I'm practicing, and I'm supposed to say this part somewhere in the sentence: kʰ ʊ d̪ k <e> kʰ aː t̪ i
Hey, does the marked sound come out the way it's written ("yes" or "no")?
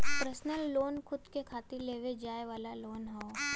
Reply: yes